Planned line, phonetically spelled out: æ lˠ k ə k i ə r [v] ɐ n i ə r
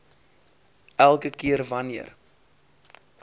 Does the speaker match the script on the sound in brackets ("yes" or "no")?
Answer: yes